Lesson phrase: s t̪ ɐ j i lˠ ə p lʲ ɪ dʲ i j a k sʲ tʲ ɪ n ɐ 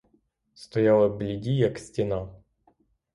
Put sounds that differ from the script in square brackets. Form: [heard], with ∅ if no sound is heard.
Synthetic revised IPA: s t̪ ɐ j [a] lˠ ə [b] lʲ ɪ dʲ i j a k sʲ tʲ ɪ n [a]